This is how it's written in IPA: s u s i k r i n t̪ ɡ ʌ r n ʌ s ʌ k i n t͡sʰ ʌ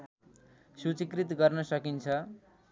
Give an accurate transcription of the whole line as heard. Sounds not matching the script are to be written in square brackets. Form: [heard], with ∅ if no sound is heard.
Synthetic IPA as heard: s u [t͡s] i k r i [∅] t̪ ɡ ʌ r n ʌ s ʌ k i n t͡sʰ ʌ